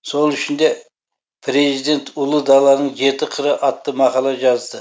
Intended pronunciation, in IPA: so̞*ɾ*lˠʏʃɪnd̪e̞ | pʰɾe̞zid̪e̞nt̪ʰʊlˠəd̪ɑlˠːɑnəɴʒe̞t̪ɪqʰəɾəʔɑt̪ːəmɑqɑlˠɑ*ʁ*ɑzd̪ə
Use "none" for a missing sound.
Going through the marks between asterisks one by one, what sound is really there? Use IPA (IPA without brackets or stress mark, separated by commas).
none, ʒ